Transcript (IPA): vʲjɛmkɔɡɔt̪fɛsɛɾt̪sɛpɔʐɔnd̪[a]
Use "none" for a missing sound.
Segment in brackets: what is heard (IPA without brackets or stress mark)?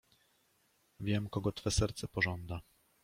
a